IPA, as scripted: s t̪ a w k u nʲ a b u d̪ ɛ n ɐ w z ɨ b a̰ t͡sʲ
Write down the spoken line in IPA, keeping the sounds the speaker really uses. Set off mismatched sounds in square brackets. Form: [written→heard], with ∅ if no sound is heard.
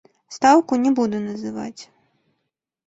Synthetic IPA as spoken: s t̪ a w k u nʲ [a→ɛ] b u d̪ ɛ n ɐ [w→∅] z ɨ [b→v] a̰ t͡sʲ